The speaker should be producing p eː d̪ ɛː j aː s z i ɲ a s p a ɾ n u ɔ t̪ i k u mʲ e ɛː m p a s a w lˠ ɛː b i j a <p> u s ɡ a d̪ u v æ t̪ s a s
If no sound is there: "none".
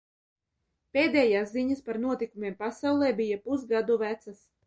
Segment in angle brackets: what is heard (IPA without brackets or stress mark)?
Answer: p